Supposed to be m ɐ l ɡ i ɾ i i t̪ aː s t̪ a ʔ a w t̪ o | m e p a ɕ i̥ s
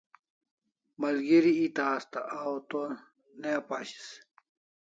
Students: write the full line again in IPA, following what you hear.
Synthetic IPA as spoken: m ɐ l ɡ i ɾ i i t̪ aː s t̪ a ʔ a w t̪ o | n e p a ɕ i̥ s